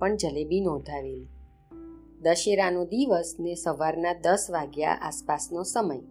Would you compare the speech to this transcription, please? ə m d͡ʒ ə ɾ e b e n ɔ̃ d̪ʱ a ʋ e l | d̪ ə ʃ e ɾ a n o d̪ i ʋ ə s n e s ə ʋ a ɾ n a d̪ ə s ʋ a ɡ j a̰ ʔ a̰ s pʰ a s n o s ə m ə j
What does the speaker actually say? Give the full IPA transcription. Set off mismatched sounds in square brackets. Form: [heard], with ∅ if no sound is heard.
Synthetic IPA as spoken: ə [ɳ] d͡ʒ ə [l] e b [i] n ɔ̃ d̪ʱ a ʋ e l | d̪ ə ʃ e ɾ a n o d̪ i ʋ ə s n e s ə ʋ a ɾ n a d̪ ə s ʋ a ɡ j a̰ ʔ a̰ s [p] a s n o s ə m ə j